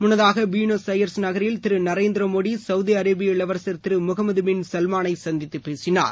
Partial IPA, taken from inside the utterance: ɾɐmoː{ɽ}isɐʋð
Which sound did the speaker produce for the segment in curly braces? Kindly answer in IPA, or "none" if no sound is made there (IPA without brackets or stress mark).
ɽ